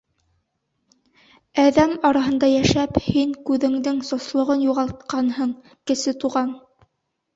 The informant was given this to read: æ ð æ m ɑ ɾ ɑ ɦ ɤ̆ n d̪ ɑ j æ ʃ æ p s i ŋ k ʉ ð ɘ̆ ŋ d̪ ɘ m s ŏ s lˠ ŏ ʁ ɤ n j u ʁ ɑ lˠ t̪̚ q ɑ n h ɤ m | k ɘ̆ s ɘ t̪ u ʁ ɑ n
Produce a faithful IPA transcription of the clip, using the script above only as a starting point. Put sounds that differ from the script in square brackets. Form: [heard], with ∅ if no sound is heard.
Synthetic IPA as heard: æ ð æ m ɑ ɾ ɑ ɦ ɤ̆ n d̪ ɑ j æ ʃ æ p [h] i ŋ k ʉ ð ɘ̆ ŋ d̪ ɘ [ŋ] s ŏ s lˠ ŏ ʁ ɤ n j u ʁ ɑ lˠ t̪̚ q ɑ n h ɤ [ɴ] | k ɘ̆ s ɘ t̪ u ʁ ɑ n